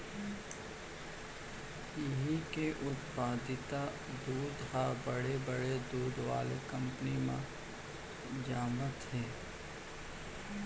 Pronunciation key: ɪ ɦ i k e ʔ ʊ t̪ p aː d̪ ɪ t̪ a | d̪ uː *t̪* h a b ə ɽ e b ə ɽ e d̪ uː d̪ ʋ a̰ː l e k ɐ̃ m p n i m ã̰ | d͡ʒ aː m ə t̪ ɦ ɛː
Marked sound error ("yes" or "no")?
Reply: yes